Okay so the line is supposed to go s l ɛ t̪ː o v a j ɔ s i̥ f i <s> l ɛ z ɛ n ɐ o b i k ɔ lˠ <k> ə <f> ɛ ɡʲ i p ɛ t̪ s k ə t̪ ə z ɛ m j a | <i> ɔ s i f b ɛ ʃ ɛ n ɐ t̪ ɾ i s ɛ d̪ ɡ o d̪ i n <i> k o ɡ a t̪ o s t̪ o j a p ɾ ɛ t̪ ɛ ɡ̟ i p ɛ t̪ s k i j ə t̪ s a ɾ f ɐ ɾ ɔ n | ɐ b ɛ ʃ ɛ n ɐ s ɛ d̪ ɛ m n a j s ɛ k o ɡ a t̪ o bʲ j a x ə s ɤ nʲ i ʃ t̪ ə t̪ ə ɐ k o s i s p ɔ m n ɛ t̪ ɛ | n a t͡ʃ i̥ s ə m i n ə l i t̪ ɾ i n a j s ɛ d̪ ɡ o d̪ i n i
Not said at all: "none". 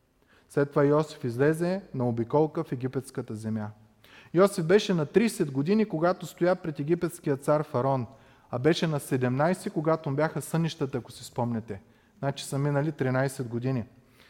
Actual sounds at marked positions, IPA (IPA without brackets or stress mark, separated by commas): z, k, f, j, i